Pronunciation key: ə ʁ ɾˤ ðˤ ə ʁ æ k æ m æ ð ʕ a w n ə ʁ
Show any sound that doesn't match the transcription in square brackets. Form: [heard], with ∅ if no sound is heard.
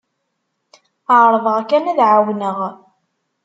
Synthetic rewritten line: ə [ʕ] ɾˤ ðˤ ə ʁ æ k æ [n] æ ð ʕ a w n ə ʁ

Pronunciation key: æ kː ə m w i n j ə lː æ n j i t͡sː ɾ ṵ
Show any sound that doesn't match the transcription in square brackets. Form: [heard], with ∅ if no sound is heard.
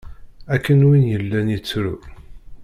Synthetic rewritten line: æ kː ə [n] w i n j ə lː æ n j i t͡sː ɾ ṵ

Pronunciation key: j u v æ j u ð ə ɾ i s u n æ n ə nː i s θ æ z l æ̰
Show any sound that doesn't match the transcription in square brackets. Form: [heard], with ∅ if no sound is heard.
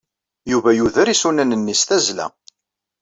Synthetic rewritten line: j u v æ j u ð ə ɾ i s u n æ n ə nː i s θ æ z l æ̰

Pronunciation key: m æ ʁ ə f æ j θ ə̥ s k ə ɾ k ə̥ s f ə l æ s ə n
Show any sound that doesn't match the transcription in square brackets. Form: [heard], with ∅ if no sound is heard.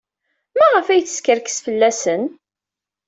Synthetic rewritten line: m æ ʁ ə f æ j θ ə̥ s k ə ɾ k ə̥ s f ə [lː] æ s ə n

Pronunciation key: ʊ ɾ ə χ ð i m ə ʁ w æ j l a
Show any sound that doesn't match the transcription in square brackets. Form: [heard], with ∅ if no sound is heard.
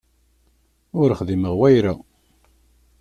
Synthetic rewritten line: ʊ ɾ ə χ ð i m ə ʁ w æ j [ɾ] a

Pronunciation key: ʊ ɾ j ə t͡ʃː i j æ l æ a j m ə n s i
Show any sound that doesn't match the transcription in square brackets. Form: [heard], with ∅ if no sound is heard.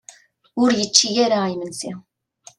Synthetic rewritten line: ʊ ɾ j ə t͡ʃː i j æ [ɾ] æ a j m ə n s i

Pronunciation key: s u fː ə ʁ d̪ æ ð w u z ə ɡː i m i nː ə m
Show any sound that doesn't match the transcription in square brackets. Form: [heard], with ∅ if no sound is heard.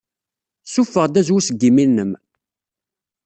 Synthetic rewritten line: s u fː ə ʁ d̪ æ [z] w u [s] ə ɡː i m i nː ə m

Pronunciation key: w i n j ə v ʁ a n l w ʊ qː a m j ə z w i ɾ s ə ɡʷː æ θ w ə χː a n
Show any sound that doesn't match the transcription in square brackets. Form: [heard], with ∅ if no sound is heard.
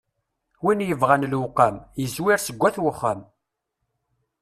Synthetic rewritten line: w i n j ə v ʁ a n l w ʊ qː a m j ə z w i ɾ s ə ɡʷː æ θ w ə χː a [m]

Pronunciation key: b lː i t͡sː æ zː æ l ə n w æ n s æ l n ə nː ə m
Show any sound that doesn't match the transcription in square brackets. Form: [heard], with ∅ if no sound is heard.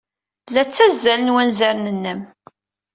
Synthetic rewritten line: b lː [æ] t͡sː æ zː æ l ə n w æ n [z] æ [ɾ] n ə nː ə m

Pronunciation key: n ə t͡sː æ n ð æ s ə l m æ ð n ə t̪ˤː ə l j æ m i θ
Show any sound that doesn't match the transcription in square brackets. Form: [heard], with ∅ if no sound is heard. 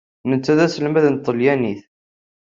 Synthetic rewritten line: n ə t͡sː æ [∅] ð æ s ə l m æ ð n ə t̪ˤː ə l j æ [n] i θ

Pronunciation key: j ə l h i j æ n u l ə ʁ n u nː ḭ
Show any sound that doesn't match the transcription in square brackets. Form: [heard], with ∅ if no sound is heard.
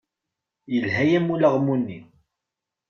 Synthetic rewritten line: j ə l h [æ] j æ [m] u l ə ʁ [m] u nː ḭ

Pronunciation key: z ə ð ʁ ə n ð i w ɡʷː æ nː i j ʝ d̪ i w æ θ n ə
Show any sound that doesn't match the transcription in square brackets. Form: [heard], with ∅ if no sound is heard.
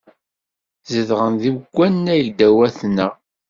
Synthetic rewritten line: z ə ð ʁ ə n ð i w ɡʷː æ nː [æ] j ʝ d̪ [æ] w æ θ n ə

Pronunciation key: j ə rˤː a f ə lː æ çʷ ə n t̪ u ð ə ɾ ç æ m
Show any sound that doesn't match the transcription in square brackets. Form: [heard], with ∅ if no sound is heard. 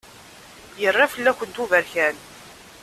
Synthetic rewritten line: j ə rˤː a f ə lː æ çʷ ə n t̪ u [v] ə ɾ ç æ [n]

